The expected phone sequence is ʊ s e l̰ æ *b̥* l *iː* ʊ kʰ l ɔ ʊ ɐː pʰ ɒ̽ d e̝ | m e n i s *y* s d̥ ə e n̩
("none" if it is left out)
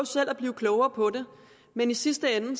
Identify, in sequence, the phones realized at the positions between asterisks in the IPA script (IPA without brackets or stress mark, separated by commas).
b̥, iː, i